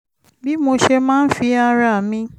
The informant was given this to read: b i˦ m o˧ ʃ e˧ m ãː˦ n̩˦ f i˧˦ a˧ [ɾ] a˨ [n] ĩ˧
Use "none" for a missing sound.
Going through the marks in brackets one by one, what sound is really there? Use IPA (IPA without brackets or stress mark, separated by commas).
ɾ, m